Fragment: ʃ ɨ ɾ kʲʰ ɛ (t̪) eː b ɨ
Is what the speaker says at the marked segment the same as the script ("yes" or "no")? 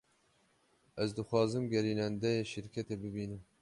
yes